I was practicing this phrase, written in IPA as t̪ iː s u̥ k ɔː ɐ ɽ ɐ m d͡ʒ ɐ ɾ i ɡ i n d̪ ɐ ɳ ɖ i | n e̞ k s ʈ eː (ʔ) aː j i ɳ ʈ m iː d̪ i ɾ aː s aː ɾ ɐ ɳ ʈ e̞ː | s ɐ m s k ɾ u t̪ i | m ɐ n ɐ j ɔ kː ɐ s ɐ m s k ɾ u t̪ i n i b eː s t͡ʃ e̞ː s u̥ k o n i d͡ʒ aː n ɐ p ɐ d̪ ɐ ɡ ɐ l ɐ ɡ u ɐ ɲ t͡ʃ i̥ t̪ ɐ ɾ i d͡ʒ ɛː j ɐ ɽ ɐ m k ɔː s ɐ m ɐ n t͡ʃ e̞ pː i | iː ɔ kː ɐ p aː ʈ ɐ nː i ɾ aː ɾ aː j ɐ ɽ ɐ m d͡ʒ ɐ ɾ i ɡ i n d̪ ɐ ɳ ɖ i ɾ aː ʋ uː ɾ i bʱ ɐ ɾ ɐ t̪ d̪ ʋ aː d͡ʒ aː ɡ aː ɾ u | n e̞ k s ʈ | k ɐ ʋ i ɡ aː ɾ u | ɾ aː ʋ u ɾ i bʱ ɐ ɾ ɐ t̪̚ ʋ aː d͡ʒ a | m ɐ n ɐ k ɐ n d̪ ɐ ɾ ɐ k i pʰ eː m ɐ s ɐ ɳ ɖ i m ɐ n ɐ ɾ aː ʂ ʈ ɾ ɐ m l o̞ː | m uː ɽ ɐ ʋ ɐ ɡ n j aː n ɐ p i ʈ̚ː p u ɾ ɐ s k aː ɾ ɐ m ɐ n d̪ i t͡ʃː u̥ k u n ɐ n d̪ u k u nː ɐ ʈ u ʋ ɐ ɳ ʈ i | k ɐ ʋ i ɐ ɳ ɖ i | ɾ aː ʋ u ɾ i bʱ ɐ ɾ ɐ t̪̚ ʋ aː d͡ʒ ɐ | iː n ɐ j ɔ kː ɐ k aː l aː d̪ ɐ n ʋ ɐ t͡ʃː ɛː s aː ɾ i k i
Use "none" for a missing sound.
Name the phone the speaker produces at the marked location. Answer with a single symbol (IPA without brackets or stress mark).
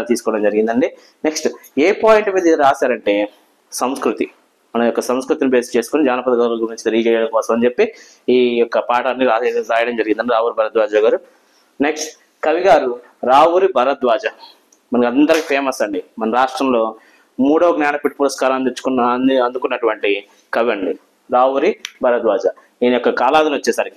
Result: p